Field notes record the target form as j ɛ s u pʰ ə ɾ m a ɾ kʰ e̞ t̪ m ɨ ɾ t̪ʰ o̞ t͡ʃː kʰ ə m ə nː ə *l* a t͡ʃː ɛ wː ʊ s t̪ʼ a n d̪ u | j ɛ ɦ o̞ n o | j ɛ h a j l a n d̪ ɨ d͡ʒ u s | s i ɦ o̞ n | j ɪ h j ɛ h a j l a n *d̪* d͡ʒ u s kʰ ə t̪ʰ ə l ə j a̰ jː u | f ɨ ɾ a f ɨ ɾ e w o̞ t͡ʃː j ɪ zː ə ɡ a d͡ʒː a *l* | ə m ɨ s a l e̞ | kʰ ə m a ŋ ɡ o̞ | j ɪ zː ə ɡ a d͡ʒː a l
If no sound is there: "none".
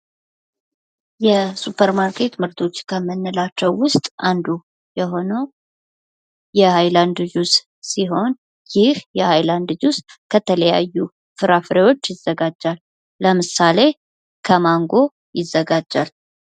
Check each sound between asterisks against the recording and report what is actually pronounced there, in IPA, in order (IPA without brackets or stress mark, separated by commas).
l, d̪, lː